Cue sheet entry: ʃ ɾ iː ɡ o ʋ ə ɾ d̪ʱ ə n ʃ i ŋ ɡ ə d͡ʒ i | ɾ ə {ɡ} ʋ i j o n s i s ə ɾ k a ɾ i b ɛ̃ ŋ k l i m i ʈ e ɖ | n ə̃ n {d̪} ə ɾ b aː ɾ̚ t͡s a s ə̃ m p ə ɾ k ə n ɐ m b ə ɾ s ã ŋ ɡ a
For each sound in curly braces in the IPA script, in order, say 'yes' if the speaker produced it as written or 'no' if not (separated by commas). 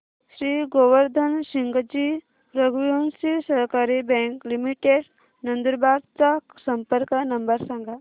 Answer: yes, yes